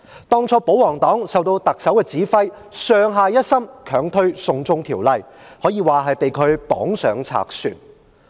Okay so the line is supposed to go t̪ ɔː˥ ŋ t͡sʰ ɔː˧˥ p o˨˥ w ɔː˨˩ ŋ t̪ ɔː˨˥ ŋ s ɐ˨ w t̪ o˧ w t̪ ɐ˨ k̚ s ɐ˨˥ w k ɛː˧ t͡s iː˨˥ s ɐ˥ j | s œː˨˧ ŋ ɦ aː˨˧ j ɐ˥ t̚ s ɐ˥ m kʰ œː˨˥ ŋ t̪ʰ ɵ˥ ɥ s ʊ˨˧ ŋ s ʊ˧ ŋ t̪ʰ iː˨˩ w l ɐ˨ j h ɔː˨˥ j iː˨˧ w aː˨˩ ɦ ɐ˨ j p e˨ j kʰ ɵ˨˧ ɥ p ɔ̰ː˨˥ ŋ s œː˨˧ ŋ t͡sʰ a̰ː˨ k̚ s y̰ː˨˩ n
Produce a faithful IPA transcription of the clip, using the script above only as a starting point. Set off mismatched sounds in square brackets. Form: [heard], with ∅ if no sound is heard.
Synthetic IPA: t̪ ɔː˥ ŋ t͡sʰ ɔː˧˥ p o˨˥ w ɔː˨˩ ŋ t̪ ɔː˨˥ ŋ s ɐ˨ w t̪ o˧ w t̪ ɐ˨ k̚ s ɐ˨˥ w k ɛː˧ t͡s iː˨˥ [f] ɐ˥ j | s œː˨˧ ŋ ɦ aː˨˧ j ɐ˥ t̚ s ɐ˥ m kʰ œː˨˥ ŋ t̪ʰ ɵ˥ ɥ s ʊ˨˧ ŋ [t͡s] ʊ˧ ŋ t̪ʰ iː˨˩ w l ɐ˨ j h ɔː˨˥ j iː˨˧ w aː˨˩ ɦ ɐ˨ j p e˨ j kʰ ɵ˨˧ ɥ p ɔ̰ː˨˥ ŋ s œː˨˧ ŋ t͡sʰ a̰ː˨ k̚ s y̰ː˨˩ n